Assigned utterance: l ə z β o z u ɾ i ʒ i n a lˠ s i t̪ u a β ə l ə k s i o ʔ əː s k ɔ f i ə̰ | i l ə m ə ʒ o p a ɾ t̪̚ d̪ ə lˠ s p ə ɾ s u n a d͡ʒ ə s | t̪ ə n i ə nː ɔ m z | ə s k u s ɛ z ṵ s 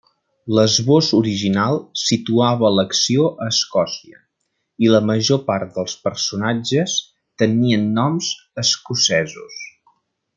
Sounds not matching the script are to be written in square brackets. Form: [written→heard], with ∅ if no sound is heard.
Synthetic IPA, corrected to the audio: l ə z β o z u ɾ i ʒ i n a lˠ s i t̪ u a β ə l ə k s i o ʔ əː s k ɔ [f→s] i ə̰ | i l ə m ə ʒ o p a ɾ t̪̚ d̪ ə lˠ s p ə ɾ s u n a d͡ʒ ə s | t̪ ə n i ə nː ɔ m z | ə s k u s ɛ z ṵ s